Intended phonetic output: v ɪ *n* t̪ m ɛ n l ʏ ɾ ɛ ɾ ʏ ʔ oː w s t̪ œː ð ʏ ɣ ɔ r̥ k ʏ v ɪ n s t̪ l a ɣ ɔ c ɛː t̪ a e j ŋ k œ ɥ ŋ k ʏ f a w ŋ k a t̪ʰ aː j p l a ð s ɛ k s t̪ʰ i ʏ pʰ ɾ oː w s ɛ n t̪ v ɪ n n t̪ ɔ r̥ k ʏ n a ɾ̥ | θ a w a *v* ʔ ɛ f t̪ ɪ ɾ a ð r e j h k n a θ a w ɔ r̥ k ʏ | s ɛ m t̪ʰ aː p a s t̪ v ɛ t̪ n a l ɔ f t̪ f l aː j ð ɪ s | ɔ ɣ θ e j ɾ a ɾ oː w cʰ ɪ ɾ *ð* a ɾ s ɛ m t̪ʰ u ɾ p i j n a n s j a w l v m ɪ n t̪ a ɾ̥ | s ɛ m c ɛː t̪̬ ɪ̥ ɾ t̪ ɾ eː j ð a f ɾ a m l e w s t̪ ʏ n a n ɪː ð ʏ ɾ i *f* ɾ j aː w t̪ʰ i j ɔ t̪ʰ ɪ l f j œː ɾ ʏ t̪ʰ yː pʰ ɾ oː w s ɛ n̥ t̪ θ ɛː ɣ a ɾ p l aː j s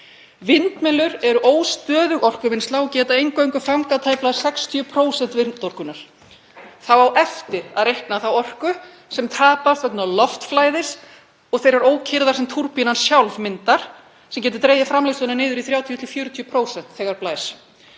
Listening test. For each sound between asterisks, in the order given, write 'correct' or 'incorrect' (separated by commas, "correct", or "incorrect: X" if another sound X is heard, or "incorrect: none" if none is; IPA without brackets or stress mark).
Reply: correct, incorrect: w, correct, incorrect: θ